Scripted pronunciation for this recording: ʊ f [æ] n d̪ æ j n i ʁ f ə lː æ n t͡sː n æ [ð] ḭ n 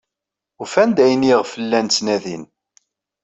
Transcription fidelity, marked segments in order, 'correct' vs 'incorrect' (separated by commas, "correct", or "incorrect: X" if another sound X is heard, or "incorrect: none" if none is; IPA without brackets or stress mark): correct, correct